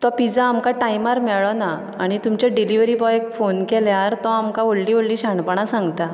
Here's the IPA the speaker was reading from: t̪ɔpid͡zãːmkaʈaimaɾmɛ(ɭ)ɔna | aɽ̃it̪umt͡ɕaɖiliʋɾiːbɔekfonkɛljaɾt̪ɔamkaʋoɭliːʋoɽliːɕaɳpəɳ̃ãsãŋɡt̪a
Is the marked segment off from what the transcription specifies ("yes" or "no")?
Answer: no